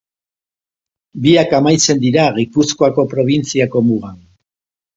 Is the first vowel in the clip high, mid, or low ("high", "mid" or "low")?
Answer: high